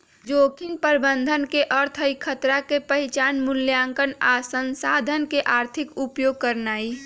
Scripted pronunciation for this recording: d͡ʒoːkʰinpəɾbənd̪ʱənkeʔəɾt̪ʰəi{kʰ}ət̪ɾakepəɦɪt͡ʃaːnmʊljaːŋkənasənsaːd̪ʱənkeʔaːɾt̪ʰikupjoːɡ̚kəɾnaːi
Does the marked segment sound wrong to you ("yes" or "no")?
no